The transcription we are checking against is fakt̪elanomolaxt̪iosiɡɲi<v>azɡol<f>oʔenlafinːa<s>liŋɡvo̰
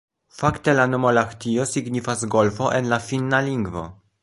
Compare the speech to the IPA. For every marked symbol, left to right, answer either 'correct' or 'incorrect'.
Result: incorrect: f, correct, incorrect: none

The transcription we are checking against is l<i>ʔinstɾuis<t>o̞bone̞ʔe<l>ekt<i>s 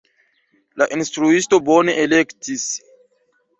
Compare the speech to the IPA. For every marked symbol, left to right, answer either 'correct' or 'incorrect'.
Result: incorrect: a, correct, correct, correct

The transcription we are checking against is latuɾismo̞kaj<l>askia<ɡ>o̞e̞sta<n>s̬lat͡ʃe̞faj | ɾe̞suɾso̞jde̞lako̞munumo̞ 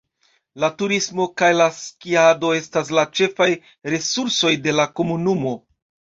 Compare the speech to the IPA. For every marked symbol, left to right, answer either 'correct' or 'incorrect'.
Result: correct, incorrect: d, incorrect: none

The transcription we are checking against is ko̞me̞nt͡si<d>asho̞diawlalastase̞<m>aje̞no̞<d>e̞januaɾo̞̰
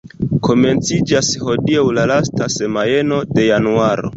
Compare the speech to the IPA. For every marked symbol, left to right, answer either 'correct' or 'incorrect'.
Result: incorrect: d͡ʒ, correct, correct

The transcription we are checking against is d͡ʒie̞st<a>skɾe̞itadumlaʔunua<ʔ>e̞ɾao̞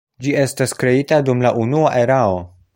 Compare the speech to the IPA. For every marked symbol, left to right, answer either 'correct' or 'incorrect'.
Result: correct, correct

